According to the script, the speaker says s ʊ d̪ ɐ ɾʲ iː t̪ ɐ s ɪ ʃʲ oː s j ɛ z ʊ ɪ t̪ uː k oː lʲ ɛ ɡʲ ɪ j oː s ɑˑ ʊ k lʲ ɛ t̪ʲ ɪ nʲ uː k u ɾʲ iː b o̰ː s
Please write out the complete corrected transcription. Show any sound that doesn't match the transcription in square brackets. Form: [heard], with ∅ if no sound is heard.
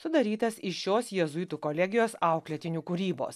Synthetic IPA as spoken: s ʊ d̪ ɐ ɾʲ iː t̪ ɐ s ɪ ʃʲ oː s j ɛ z ʊ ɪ t̪ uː k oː lʲ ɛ ɡʲ ɪ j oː s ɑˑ ʊ k lʲ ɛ t̪ʲ ɪ nʲ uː k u ɾʲ iː b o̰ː s

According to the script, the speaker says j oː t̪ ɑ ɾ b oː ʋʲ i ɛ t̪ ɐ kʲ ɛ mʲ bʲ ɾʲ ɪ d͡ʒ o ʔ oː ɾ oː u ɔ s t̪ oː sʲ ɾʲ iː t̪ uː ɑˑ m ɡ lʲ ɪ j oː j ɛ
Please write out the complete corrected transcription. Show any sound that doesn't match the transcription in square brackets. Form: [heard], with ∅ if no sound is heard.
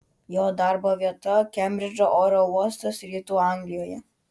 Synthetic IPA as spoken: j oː [d̪] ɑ ɾ b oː ʋʲ i ɛ t̪ ɐ kʲ ɛ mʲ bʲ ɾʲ ɪ d͡ʒ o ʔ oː ɾ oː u ɔ s t̪ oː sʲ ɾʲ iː t̪ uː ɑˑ [ŋ] ɡ lʲ ɪ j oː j ɛ

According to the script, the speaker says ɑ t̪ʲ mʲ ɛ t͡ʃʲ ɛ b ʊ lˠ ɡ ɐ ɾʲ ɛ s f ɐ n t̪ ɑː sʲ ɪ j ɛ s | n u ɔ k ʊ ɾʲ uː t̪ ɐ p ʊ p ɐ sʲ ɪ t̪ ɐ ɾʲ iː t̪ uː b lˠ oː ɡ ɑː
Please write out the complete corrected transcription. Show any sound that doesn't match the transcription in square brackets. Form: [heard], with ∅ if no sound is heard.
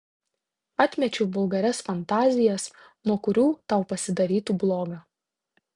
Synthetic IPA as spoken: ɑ t̪ʲ mʲ ɛ t͡ʃʲ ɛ b ʊ lˠ ɡ ɐ ɾʲ ɛ s f ɐ n t̪ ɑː [zʲ] ɪ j ɛ s | n u ɔ k ʊ ɾʲ uː t̪ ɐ [∅] ʊ p ɐ sʲ ɪ [d̪] ɐ ɾʲ iː t̪ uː b lˠ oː ɡ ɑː

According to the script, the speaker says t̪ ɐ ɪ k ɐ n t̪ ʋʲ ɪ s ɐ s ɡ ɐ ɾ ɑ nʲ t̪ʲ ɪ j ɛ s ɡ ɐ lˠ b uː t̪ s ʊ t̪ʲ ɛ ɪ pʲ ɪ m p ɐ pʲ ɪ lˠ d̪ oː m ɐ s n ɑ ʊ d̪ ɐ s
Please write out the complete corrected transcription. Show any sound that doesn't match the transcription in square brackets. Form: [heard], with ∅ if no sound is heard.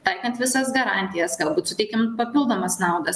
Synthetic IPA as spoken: t̪ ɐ ɪ k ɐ n t̪ ʋʲ ɪ s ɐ s ɡ ɐ ɾ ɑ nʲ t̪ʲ ɪ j ɛ s ɡ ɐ lˠ b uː t̪ s ʊ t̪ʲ ɛ ɪ [kʲ] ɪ m p ɐ pʲ ɪ lˠ d̪ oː m ɐ s n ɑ ʊ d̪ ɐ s

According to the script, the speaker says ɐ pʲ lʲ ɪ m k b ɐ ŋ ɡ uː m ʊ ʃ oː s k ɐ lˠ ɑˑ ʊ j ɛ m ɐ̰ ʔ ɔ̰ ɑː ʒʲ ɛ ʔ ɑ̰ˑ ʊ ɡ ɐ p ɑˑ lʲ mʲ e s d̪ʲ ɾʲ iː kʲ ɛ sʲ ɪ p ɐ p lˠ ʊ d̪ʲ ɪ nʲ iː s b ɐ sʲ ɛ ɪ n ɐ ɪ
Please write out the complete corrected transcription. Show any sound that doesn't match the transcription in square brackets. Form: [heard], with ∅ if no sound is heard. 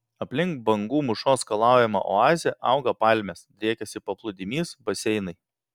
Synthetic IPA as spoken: ɐ pʲ lʲ ɪ [ŋ] k b ɐ ŋ ɡ uː m ʊ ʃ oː s k ɐ lˠ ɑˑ ʊ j ɛ m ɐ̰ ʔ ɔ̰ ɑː [zʲ] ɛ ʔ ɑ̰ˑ ʊ ɡ ɐ p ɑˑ lʲ mʲ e s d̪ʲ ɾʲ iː kʲ ɛ sʲ ɪ p ɐ p lˠ ʊ d̪ʲ ɪ [mʲ] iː s b ɐ sʲ ɛ ɪ n ɐ ɪ

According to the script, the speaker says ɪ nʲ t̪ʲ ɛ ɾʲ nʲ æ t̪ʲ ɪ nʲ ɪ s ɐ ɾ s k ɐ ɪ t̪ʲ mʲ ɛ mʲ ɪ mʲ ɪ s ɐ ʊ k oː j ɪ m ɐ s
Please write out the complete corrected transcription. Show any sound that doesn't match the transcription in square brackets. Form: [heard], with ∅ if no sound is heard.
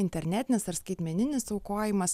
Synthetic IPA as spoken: ɪ nʲ t̪ʲ ɛ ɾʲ nʲ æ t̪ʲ ɪ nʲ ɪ s ɐ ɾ s k ɐ ɪ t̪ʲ mʲ ɛ [nʲ] ɪ [nʲ] ɪ s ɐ ʊ k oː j ɪ m ɐ s

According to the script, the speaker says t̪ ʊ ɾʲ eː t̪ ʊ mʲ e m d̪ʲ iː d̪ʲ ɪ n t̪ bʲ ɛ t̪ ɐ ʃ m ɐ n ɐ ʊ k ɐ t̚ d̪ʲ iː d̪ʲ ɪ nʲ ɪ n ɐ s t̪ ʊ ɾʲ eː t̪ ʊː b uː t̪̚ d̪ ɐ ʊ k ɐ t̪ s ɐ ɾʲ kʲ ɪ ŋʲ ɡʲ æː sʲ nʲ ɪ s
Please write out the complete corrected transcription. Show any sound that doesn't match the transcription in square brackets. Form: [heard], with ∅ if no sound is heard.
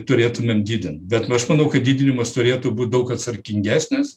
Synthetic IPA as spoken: t̪ ʊ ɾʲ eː t̪ ʊ mʲ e m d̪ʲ iː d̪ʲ ɪ n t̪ bʲ ɛ t̪ ɐ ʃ m ɐ n ɐ ʊ k ɐ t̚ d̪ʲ iː d̪ʲ ɪ nʲ ɪ [m] ɐ s t̪ ʊ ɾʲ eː t̪ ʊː b uː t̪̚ d̪ ɐ ʊ k ɐ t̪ s ɐ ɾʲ kʲ ɪ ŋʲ ɡʲ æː sʲ nʲ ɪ s

